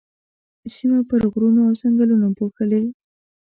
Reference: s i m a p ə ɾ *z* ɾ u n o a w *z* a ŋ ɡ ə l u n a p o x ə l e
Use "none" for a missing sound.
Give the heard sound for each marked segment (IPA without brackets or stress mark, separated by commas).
ɣ, s